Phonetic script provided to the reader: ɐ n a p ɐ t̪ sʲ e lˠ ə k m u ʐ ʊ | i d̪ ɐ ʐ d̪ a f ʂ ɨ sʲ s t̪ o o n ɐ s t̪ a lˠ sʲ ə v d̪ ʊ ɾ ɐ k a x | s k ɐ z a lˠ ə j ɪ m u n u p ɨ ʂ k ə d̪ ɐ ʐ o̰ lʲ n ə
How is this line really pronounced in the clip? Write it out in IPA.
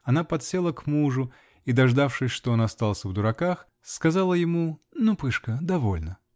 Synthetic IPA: ɐ n a p ɐ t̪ sʲ e lˠ ə k m u ʐ ʊ | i d̪ ɐ ʐ d̪ a f ʂ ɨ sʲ ʂ t̪ o o n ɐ s t̪ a lˠ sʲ ə v d̪ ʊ ɾ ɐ k a x | s k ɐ z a lˠ ə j ɪ m u n u p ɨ ʂ k ə d̪ ɐ v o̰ lʲ n ə